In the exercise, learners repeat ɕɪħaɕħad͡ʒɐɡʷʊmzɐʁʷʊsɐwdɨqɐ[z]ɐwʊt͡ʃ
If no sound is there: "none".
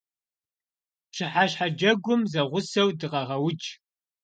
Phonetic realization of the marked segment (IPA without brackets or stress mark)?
ʁ